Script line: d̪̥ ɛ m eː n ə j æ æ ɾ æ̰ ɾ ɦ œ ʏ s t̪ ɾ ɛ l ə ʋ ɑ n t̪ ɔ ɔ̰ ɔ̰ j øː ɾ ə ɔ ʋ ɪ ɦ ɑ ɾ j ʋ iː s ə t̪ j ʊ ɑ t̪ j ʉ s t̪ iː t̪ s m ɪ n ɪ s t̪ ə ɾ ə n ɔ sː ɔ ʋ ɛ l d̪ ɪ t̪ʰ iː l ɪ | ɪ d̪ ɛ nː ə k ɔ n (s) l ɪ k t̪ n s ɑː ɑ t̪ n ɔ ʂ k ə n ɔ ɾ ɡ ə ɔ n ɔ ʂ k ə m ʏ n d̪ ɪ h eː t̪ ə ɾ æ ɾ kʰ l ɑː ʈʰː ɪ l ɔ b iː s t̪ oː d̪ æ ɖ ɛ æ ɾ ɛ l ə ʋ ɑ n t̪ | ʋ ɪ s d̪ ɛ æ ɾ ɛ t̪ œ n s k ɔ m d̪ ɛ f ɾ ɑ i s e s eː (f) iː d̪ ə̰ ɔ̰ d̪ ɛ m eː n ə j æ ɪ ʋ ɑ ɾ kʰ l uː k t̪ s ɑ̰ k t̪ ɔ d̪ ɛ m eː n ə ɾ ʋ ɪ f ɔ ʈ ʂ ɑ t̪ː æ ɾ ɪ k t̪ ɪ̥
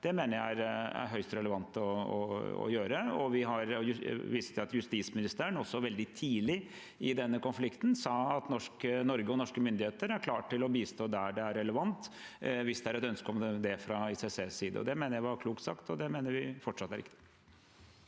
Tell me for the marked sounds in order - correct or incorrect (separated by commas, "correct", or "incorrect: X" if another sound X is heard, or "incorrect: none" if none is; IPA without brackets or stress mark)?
incorrect: f, incorrect: s